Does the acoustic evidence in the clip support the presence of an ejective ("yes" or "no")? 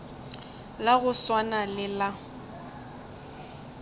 no